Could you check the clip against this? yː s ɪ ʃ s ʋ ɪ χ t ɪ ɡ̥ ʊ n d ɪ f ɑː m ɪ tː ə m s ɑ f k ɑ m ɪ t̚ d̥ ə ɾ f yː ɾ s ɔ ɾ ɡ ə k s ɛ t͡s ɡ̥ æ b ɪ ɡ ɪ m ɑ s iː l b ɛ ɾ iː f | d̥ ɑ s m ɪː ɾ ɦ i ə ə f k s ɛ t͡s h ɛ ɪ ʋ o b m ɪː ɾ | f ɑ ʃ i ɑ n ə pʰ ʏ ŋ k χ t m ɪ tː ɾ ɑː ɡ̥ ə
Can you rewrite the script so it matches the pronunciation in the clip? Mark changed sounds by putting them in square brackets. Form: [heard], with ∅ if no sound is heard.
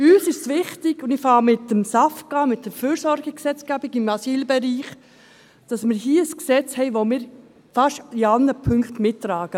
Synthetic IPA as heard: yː s ɪ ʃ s ʋ ɪ χ t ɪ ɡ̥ ʊ n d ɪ f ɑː m ɪ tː ə m s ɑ f k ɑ m ɪ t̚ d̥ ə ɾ f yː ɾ s ɔ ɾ ɡ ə k s ɛ t͡s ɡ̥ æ b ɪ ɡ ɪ m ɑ s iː l b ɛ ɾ iː [χ] | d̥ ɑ s m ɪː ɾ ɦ i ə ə [s] k s ɛ t͡s h ɛ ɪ ʋ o [∅] m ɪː ɾ | f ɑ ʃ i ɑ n ə pʰ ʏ ŋ k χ t m ɪ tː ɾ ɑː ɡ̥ ə

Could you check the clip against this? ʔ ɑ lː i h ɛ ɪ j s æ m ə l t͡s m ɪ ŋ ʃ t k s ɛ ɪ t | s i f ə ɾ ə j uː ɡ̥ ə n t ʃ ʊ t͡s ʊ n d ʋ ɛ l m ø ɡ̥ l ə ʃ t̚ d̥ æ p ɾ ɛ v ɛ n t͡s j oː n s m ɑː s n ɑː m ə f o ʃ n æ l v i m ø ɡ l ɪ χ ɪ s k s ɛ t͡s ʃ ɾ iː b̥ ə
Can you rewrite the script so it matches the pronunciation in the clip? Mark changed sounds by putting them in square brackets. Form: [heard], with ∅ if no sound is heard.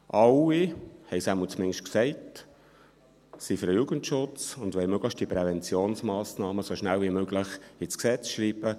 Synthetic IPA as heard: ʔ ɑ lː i h ɛ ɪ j s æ m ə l t͡s m ɪ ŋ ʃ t k s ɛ ɪ t | s i f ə ɾ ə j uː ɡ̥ ə n t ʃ ʊ t͡s ʊ n d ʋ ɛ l m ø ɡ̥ l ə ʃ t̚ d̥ [i] p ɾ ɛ v ɛ n t͡s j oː n s m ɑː s n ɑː m ə [s] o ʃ n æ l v i m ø ɡ l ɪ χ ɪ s k s ɛ t͡s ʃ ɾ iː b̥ ə

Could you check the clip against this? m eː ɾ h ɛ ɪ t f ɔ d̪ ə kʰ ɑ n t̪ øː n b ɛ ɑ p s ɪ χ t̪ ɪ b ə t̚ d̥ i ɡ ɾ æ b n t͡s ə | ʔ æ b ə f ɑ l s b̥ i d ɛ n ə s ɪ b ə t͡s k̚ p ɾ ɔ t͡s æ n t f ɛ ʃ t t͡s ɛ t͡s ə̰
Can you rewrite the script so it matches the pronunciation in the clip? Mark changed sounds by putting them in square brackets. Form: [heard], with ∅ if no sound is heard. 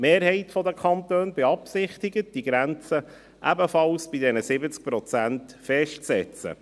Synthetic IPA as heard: m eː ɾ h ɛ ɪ t f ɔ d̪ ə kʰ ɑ n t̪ øː n b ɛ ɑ p s ɪ χ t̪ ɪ [ɡ] ə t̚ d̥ i ɡ ɾ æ [∅] n t͡s ə | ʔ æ b ə f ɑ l s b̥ i d ɛ n ə s ɪ b ə t͡s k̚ p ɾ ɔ t͡s æ n t f ɛ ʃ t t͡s ɛ t͡s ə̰

